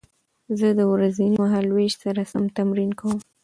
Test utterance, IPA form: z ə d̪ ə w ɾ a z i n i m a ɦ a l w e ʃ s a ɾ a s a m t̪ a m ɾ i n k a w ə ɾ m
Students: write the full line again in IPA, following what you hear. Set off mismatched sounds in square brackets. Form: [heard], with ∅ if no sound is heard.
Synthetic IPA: z ə d̪ ə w ɾ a z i n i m a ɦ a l w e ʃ s a ɾ a s a m t̪ a m ɾ i n k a w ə [∅] m